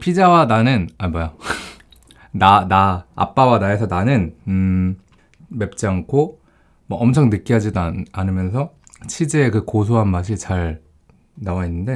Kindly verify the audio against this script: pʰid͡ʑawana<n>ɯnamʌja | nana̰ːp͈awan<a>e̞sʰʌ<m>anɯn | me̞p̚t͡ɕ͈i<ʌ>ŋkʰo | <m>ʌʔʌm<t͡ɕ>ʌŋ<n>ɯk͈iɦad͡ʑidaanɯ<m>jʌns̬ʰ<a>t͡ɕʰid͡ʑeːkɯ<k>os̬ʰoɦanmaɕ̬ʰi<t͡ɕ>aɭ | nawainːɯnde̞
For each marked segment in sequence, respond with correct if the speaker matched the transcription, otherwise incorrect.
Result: correct, correct, incorrect: n, incorrect: a, correct, incorrect: t͡ɕʰ, correct, correct, incorrect: ʌ, correct, correct

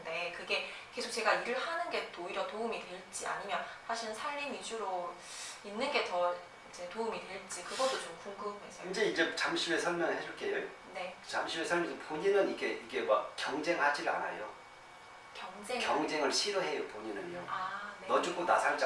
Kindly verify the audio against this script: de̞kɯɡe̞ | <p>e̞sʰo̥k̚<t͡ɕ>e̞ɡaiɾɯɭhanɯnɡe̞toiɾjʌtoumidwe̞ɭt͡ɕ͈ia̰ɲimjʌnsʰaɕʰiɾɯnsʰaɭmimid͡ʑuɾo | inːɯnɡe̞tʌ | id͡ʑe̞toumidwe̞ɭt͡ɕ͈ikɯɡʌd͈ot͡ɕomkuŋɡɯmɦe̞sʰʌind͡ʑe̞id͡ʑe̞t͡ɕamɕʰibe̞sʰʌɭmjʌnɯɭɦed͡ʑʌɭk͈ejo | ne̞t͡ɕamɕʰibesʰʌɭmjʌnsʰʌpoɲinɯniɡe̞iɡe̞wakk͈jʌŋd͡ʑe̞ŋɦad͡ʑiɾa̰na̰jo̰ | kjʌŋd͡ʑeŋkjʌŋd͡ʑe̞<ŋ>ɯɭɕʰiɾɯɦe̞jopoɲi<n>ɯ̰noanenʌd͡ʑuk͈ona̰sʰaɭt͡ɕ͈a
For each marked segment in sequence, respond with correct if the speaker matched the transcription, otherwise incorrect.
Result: incorrect: k, correct, correct, correct

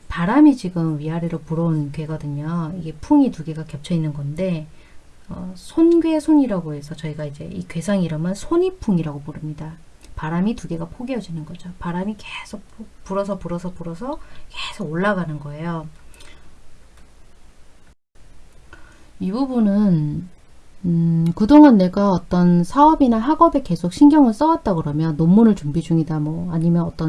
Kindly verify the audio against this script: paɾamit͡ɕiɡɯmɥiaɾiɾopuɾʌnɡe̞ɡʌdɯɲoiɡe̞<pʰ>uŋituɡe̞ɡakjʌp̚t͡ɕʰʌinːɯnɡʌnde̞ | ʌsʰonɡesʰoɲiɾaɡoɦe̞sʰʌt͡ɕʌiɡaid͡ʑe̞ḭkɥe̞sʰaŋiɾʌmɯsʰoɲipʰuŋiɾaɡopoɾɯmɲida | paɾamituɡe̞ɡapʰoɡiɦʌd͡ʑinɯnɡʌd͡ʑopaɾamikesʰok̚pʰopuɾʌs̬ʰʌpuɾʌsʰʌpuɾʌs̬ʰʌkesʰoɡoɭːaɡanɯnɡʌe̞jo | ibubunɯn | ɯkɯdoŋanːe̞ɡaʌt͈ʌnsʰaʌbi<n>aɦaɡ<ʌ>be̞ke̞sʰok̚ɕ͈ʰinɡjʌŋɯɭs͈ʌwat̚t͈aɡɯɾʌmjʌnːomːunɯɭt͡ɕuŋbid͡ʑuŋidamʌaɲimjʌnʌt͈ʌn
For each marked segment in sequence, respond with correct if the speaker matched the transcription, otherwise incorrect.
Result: correct, correct, correct

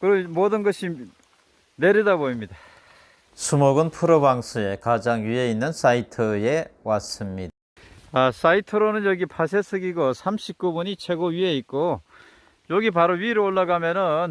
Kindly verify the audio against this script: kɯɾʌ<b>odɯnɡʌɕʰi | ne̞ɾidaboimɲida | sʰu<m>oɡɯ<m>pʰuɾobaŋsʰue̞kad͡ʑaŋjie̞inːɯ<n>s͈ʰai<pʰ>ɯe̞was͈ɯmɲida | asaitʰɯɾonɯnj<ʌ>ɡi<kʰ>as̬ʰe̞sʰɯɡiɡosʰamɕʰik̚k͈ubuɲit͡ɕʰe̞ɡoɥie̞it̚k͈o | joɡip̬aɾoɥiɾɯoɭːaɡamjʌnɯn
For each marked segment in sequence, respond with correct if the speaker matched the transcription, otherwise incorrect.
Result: incorrect: m, correct, incorrect: n, correct, incorrect: tʰ, correct, incorrect: pʰ

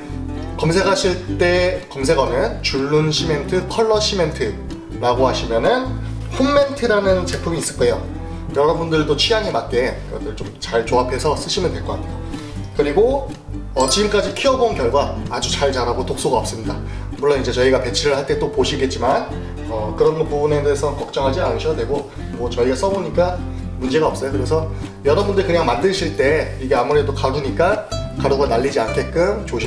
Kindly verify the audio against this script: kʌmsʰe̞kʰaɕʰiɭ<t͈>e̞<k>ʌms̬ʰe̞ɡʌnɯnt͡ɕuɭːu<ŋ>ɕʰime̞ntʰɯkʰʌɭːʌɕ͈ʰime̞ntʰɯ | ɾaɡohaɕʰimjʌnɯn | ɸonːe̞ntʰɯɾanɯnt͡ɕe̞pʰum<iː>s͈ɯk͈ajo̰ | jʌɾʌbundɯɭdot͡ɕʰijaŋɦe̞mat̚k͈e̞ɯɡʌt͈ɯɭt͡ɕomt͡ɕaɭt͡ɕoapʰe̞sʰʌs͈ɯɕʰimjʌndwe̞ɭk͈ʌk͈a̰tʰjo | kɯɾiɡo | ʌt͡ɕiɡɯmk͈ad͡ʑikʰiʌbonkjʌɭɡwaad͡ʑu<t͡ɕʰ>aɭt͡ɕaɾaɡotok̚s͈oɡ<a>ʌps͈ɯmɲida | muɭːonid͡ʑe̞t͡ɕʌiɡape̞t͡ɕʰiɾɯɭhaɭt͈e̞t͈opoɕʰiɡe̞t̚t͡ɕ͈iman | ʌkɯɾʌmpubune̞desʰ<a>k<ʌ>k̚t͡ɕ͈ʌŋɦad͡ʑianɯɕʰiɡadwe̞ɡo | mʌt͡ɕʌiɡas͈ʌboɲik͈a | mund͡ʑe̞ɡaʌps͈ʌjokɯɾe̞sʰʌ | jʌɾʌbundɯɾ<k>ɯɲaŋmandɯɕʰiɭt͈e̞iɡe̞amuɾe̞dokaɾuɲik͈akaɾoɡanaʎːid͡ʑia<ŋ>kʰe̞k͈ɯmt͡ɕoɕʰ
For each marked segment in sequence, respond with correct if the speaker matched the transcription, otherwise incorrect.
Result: correct, correct, incorrect: n, correct, incorrect: t͡ɕ, correct, incorrect: ʌ, correct, correct, incorrect: n

